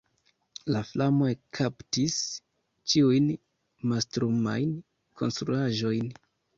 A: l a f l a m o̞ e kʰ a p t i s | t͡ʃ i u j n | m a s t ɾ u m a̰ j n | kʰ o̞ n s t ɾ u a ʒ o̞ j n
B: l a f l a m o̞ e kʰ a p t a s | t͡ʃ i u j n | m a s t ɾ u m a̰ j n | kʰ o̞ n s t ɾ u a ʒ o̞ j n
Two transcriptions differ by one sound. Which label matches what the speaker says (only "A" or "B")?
A